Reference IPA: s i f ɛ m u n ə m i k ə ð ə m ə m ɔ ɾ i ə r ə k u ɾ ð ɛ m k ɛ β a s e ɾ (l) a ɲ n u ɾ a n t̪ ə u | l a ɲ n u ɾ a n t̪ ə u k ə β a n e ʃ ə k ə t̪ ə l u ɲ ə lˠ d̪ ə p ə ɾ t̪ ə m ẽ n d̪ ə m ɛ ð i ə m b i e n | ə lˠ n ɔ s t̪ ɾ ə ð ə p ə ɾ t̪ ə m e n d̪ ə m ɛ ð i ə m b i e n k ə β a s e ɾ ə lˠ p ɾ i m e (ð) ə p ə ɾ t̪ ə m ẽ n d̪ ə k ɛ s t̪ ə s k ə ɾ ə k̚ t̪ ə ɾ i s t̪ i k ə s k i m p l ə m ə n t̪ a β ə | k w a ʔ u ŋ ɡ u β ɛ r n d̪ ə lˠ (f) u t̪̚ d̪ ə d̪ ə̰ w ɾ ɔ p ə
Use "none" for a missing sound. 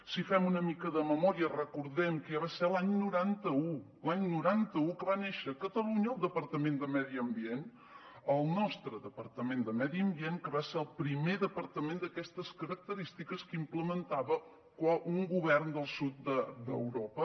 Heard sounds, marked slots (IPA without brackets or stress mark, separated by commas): l, ð, s